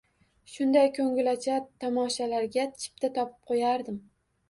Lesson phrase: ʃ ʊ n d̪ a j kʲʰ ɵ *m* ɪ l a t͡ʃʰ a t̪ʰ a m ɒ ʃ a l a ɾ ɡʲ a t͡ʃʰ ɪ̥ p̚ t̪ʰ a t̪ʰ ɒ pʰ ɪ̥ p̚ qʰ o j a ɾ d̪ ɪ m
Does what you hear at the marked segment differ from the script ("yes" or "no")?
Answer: yes